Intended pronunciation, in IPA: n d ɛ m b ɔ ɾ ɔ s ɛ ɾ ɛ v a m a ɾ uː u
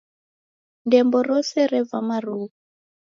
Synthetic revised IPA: n d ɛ m b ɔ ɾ ɔ s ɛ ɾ ɛ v a m a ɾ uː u